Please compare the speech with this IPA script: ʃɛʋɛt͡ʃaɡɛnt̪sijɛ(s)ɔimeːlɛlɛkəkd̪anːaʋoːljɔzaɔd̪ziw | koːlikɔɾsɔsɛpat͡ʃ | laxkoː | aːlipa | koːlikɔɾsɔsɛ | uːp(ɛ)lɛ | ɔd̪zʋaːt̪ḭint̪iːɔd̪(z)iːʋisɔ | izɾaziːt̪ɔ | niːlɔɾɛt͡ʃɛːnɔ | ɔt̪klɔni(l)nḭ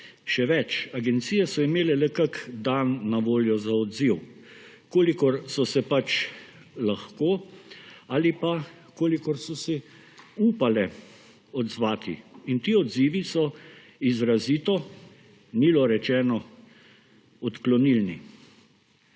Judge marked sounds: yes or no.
yes, no, yes, yes

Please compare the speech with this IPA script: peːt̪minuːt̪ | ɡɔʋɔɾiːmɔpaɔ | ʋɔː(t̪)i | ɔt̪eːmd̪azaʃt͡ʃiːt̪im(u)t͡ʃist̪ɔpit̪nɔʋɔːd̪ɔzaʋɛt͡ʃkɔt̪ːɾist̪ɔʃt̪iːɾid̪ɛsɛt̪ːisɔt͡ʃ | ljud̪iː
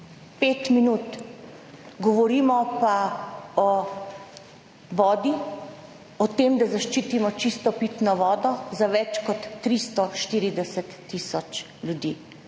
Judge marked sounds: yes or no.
no, no

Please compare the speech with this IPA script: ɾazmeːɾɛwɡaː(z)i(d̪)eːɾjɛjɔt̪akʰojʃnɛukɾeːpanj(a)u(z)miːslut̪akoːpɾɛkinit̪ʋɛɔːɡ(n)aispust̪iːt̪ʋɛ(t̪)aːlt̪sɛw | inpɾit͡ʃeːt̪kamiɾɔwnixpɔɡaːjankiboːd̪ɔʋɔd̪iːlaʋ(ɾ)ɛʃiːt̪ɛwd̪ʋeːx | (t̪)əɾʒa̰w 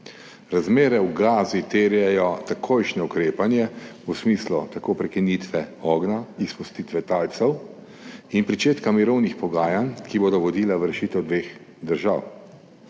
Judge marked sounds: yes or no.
yes, no, no, no, yes, yes, yes, no

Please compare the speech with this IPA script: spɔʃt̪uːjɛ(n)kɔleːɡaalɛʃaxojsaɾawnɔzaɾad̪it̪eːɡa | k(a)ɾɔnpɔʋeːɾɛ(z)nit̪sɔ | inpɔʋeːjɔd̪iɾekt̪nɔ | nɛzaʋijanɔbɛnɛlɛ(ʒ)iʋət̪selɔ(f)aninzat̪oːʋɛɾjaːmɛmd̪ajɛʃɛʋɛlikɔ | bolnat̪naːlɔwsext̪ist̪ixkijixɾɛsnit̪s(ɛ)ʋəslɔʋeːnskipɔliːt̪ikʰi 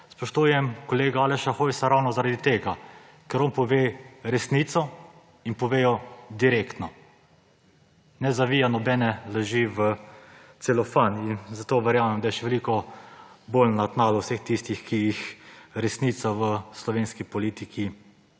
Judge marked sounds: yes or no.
no, no, no, yes, yes, no

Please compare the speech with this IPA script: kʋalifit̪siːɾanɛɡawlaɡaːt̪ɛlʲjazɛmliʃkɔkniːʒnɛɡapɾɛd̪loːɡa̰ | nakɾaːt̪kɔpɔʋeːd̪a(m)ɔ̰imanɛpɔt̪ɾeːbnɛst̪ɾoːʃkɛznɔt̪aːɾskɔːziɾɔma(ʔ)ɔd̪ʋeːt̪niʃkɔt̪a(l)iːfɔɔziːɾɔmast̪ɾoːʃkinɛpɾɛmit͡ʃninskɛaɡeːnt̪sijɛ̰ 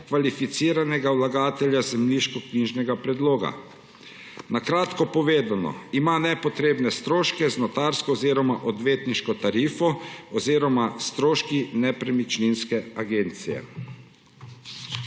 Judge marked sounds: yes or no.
no, yes, no

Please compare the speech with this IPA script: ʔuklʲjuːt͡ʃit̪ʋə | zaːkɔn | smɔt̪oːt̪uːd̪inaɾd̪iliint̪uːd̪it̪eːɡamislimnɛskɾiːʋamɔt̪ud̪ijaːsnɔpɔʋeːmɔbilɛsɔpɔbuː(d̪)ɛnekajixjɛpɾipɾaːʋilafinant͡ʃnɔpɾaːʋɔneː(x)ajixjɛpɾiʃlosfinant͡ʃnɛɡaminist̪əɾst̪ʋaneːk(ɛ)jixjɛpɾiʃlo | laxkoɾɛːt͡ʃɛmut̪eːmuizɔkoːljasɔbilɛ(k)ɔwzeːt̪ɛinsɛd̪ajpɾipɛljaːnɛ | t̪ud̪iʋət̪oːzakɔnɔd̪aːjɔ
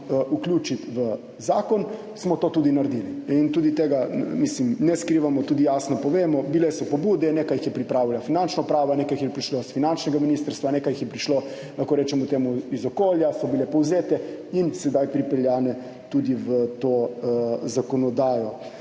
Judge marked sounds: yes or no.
yes, no, no, no

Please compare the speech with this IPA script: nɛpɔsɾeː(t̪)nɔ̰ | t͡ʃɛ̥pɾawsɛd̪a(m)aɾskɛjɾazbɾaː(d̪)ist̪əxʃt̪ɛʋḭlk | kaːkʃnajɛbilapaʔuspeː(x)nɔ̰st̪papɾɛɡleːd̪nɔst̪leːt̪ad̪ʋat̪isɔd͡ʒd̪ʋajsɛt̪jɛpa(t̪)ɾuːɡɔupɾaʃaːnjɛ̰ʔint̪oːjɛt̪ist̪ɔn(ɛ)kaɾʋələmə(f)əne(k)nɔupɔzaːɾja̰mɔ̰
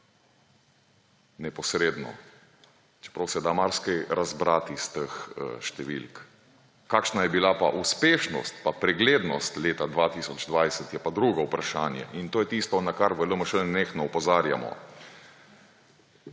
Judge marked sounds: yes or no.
no, yes, no, no, no, no, no, no

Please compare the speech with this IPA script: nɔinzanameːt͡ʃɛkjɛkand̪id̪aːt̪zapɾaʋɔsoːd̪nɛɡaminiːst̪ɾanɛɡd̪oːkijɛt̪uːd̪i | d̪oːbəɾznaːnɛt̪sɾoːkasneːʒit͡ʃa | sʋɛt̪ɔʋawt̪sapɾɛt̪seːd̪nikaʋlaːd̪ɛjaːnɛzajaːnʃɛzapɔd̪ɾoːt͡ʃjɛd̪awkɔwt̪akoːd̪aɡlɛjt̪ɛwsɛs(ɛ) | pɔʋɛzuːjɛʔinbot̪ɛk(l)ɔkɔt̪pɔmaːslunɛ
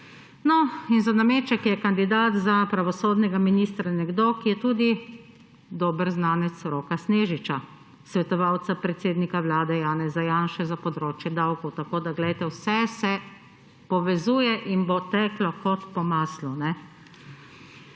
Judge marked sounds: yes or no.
yes, yes

